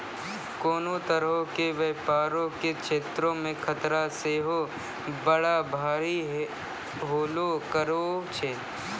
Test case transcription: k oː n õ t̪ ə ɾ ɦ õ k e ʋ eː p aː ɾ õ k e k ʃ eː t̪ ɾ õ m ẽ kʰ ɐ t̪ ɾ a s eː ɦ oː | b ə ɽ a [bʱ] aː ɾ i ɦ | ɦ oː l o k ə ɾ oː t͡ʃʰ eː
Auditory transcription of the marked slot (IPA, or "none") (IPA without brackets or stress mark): bʱ